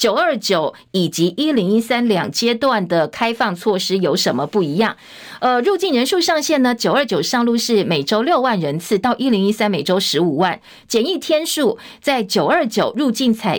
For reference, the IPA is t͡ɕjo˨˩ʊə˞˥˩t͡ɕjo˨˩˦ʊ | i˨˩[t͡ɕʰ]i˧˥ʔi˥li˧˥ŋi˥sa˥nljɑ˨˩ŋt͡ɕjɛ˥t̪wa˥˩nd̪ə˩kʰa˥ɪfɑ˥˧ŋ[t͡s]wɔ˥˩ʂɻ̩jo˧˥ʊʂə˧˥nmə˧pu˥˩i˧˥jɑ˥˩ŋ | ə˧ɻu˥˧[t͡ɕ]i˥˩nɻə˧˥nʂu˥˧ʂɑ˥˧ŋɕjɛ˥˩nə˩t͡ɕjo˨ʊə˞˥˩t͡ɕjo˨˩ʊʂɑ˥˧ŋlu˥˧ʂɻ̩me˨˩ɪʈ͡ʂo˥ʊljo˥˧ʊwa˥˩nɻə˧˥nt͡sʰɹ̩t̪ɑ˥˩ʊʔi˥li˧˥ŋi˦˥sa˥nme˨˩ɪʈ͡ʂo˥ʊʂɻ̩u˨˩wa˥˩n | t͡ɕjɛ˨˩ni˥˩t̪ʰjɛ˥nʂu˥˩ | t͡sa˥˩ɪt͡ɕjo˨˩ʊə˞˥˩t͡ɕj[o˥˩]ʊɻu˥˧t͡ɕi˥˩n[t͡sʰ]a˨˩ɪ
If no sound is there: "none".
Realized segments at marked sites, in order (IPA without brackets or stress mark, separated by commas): t͡ɕ, t͡sʰ, t͡ɕ, o˨˩, t͡sʰ